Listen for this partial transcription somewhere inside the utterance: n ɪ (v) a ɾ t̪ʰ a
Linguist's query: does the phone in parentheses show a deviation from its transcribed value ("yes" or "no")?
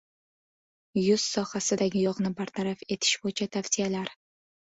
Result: yes